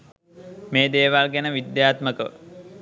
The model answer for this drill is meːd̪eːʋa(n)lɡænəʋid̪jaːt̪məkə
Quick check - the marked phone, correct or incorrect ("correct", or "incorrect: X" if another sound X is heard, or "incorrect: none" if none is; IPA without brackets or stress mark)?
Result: incorrect: none